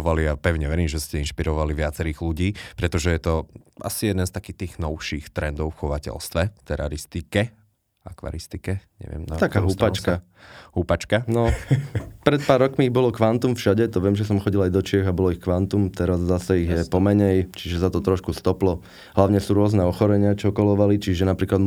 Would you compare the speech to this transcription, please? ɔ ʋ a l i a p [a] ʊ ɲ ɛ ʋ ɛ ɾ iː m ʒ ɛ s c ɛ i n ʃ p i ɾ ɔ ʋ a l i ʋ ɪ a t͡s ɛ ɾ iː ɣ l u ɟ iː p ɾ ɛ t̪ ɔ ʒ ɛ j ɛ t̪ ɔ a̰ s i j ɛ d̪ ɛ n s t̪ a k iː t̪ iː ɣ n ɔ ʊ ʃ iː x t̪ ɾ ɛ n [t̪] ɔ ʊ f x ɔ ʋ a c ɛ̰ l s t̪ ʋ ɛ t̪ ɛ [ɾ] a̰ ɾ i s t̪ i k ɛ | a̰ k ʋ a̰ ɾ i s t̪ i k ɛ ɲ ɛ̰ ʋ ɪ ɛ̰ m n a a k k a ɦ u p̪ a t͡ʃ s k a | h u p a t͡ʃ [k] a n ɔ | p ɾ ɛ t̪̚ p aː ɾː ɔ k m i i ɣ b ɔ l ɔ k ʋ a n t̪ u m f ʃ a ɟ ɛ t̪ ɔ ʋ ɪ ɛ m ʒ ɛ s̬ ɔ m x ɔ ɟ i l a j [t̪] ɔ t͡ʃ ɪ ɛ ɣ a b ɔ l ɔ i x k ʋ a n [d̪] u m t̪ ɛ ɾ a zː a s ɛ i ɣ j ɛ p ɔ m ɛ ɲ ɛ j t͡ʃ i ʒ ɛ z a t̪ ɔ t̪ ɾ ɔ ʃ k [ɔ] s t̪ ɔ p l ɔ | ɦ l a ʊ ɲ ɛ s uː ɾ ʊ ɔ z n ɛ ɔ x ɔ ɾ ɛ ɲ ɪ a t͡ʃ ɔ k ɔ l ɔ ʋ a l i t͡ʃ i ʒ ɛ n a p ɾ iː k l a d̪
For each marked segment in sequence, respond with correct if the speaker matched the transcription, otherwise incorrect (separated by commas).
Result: incorrect, incorrect, correct, correct, incorrect, incorrect, incorrect